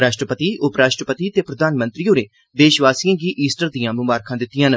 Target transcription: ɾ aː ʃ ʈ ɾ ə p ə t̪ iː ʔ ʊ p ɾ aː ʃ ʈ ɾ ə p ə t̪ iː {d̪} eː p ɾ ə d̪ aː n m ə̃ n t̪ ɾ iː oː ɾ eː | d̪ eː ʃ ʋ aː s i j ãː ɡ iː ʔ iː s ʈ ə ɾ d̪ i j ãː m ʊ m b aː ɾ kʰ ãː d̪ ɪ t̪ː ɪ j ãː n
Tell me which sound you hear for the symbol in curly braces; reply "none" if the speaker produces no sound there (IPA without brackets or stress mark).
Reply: t̪